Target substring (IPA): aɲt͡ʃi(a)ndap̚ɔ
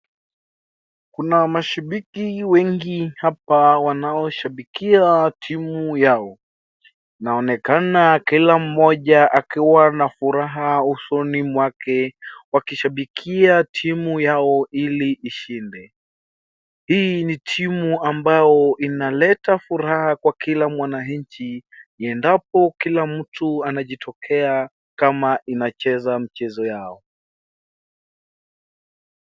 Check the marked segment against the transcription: incorrect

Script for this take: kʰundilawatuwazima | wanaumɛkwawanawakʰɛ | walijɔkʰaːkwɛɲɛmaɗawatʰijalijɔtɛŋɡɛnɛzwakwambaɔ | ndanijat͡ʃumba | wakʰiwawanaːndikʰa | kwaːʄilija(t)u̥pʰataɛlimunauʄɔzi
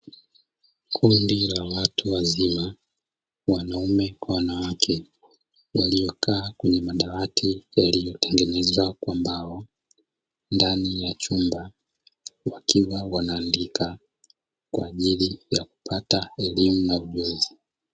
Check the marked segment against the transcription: incorrect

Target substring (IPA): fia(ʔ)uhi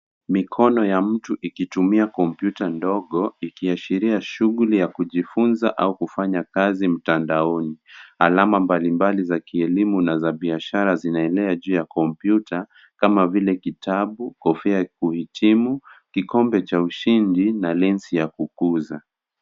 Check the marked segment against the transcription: incorrect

